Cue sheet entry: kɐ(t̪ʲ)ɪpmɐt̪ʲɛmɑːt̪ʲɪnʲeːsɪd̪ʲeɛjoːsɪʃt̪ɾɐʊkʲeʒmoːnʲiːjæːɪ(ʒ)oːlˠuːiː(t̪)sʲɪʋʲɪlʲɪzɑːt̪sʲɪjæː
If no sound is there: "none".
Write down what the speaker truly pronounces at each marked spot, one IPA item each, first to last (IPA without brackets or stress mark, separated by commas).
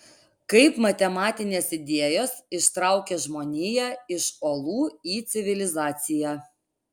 none, ʃ, t̪